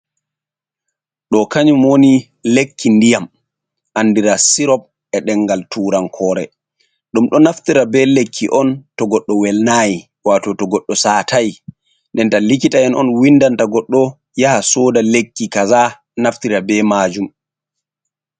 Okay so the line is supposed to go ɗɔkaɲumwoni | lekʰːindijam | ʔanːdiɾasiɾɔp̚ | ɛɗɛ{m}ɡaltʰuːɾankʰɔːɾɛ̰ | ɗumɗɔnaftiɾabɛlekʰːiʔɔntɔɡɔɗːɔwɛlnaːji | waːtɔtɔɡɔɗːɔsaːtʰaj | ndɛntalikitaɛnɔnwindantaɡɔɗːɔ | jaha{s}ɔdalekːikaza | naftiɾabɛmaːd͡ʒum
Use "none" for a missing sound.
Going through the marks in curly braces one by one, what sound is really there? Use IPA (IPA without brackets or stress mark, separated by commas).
ŋ, s